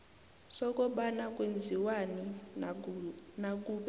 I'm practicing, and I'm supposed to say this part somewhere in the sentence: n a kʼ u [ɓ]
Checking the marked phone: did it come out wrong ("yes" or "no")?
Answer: no